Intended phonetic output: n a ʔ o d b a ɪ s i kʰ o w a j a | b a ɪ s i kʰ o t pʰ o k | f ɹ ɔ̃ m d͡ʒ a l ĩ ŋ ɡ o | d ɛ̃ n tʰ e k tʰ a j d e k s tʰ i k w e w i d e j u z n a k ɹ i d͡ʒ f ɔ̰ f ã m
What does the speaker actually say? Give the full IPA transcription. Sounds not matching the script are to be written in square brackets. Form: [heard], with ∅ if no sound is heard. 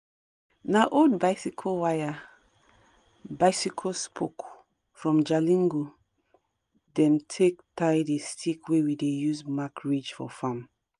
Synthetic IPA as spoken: n a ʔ o d b a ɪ s i kʰ o w a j a | b a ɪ s i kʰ o [s] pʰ o k | f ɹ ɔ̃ m d͡ʒ a l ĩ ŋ ɡ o | d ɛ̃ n tʰ e k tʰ a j d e [∅] s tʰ i k w e w i d e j u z [m] a k ɹ i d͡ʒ f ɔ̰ f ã m